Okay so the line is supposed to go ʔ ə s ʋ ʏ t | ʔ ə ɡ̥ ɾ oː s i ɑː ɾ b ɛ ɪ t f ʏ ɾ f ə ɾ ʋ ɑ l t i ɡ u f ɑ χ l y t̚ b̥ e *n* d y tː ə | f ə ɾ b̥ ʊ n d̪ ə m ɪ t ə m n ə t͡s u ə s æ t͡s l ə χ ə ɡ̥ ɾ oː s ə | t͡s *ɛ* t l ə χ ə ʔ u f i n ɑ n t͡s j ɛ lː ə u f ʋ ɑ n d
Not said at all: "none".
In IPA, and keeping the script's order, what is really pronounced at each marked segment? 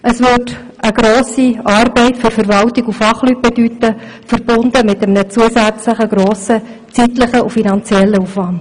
none, i

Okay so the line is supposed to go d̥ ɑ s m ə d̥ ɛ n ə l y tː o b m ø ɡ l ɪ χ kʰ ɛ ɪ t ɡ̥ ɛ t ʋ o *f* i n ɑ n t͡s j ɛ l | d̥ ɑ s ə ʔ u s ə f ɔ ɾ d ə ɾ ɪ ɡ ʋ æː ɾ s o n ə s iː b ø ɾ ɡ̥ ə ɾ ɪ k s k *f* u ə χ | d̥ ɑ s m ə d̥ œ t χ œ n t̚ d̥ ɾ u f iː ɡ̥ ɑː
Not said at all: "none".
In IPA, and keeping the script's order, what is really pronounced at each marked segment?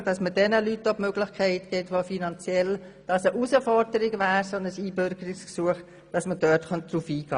f, s

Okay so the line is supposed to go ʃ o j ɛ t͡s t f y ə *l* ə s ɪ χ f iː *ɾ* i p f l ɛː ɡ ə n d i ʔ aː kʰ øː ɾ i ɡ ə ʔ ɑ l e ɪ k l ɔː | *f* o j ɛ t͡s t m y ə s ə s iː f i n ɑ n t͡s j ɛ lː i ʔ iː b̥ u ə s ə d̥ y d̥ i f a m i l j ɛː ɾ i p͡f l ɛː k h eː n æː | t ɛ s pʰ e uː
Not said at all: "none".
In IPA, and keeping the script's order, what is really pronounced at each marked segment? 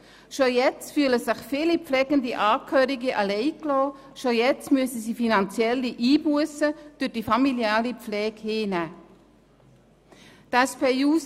l, l, ʃ

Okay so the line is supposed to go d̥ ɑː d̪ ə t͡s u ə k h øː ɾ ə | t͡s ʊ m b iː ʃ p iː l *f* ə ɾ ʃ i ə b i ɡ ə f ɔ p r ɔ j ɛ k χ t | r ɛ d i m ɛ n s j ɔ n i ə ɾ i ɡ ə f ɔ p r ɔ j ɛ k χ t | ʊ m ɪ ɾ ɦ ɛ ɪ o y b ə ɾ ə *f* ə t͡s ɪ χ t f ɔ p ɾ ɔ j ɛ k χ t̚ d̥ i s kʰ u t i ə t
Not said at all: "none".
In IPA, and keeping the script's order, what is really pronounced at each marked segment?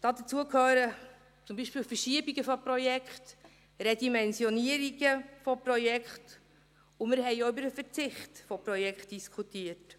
f, f

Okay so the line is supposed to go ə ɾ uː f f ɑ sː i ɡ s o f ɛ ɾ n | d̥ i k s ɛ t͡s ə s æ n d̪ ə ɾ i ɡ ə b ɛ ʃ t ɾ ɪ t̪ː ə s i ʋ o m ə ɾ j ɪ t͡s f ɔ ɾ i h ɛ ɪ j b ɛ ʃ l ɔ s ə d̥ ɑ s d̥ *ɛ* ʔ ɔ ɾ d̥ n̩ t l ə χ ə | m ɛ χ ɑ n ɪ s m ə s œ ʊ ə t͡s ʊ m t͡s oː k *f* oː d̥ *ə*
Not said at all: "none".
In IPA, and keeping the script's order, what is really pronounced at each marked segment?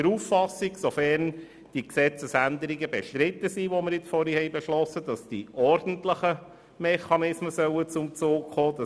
i, χ, ɑ

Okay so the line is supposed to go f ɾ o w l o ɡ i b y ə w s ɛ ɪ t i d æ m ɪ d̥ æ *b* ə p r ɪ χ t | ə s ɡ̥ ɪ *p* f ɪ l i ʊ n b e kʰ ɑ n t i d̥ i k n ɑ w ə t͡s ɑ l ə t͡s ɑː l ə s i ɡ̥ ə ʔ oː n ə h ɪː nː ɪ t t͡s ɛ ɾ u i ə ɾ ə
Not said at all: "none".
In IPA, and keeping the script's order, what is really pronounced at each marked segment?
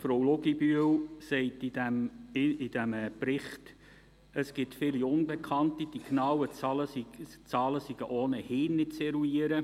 m, t

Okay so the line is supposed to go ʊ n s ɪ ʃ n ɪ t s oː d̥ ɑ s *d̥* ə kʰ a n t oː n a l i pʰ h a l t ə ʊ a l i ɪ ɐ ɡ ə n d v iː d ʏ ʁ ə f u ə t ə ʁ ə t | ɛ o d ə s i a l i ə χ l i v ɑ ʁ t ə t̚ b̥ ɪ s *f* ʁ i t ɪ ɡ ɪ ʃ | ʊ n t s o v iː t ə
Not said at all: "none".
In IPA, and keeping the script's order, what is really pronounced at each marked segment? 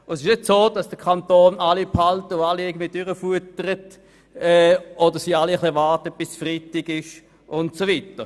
d̥, f

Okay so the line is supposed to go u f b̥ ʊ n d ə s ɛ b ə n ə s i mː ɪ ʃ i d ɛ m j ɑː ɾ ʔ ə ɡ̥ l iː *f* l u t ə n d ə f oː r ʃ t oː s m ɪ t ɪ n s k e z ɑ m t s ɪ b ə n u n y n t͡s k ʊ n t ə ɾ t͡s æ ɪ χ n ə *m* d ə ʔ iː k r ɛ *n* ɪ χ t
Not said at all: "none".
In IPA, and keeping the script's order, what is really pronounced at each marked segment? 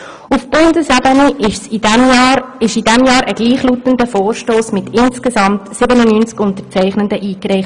χ, n, none

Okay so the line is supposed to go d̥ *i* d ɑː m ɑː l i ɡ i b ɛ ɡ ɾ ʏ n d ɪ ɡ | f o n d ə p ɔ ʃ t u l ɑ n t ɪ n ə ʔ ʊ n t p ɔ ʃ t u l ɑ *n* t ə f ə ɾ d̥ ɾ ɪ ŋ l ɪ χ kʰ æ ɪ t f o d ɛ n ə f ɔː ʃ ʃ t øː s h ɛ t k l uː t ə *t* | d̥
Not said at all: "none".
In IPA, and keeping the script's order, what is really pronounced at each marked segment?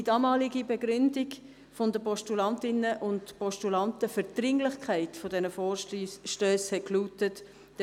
i, n, t

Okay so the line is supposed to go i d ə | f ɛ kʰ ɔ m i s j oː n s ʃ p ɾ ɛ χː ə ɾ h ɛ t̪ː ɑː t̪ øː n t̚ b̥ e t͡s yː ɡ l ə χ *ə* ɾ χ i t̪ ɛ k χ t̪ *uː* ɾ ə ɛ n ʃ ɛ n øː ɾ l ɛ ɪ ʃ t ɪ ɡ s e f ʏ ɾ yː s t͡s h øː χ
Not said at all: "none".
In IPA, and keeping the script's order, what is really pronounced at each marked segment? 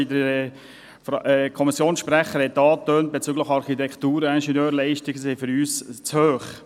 ɑ, uː

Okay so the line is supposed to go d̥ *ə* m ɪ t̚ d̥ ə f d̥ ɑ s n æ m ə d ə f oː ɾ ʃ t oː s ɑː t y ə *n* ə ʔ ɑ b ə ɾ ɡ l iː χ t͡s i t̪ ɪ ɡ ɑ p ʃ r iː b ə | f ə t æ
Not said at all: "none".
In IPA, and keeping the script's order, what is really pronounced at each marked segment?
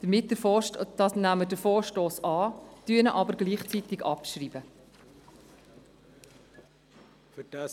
ə, n

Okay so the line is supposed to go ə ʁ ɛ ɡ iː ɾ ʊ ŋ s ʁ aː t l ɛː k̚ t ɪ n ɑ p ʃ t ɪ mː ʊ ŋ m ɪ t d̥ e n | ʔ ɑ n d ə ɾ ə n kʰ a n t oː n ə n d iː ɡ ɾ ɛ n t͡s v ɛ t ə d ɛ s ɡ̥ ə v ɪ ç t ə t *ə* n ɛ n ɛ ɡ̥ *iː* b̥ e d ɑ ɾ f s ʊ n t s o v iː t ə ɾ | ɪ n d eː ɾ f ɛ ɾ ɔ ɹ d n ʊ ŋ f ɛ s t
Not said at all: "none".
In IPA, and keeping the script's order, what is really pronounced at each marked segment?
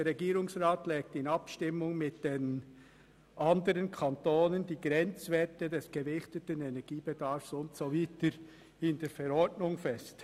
ə, iː

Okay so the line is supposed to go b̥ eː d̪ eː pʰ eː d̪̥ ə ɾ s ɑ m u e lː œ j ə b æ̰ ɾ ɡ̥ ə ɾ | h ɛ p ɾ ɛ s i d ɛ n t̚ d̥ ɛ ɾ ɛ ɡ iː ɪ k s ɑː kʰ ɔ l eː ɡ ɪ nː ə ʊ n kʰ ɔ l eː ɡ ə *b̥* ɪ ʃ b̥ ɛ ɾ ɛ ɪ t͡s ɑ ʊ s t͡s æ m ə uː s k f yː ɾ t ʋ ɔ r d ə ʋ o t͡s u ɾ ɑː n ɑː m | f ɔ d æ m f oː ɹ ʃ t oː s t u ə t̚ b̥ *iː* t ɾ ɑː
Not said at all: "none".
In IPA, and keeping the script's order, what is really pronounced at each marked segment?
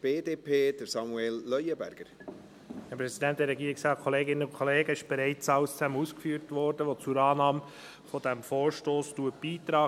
none, iː

